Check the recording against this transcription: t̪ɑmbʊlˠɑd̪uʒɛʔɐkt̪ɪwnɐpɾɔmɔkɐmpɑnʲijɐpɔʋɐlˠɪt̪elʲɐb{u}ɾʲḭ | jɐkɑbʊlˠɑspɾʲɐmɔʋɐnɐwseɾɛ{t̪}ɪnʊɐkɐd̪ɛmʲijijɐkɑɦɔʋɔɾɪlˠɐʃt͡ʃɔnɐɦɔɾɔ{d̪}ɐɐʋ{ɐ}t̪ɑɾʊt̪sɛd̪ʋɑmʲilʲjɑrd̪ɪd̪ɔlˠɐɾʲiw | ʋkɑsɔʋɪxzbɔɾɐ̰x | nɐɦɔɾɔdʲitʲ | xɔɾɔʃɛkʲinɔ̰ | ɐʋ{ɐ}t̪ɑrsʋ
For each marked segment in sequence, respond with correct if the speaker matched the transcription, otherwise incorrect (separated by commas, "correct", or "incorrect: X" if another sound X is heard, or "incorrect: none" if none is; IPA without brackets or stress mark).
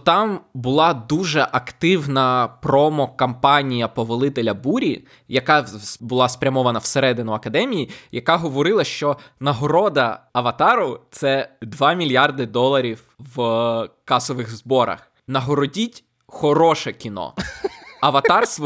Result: correct, incorrect: d̪, correct, correct, correct